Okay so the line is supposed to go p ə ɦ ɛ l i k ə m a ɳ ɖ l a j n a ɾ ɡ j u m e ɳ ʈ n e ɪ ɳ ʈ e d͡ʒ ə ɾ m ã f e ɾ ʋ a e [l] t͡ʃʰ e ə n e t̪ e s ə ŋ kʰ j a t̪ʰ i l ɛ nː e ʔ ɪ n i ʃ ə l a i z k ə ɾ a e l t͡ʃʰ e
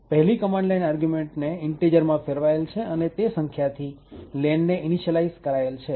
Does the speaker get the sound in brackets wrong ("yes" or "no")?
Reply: no